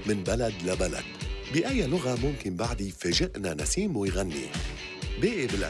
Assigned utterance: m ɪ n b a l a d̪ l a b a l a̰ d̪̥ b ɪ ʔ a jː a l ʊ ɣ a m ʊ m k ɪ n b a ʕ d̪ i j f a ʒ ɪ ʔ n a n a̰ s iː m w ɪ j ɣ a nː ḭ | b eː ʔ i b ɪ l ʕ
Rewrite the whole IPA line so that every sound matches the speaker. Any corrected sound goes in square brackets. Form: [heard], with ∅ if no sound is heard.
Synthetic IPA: m ɪ n b a l a d̪ l a b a l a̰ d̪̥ b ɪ ʔ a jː a l ʊ ɣ a m ʊ m k ɪ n b a ʕ d̪ i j f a ʒ ɪ ʔ n a n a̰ s iː m w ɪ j ɣ a nː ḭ | b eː ʔ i b ɪ l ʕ